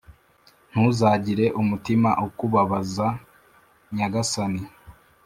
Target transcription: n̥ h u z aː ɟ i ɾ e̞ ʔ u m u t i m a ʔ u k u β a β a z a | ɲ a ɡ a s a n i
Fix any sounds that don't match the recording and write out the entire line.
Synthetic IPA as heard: n̥ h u z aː ɟ i ɾ e̞ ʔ u m u t i m a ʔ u k u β a β a z a | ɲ a ɡ a s a n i